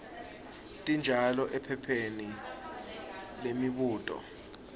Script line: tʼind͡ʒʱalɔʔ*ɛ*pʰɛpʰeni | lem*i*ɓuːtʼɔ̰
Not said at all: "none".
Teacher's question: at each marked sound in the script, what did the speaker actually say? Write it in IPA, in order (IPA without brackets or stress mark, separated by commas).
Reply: ɛ, i